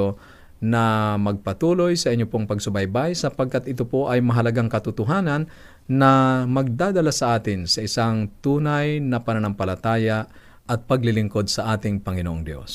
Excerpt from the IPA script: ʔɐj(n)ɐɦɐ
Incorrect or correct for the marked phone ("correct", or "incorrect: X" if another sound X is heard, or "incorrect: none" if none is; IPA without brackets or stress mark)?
incorrect: m